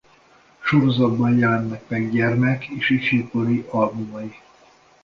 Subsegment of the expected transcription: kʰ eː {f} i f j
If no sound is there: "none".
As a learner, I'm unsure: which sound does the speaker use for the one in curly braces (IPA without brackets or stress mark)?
ʃ